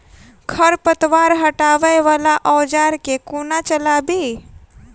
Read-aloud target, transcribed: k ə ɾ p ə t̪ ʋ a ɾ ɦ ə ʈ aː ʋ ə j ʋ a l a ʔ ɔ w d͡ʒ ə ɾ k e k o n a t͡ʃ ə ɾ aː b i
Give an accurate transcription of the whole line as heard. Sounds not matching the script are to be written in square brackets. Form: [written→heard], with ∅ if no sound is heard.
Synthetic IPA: [k→kʰ] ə ɾ p ə t̪ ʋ a ɾ ɦ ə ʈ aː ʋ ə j ʋ a l a ʔ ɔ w d͡ʒ [ə→a] ɾ k e k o n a t͡ʃ ə [ɾ→l] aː b i